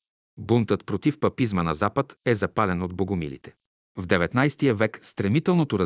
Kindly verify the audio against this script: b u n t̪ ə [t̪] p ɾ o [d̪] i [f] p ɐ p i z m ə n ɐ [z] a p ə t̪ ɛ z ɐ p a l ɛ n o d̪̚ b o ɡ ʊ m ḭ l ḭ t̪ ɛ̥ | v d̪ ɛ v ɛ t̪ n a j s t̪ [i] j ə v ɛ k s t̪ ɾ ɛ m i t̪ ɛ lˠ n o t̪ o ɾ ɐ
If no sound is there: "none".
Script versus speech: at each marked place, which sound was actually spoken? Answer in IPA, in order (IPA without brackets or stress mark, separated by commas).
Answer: t̪, t̪, f, z, i